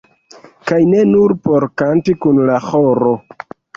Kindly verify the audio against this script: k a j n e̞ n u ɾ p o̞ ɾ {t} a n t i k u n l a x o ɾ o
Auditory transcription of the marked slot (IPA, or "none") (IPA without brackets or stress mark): k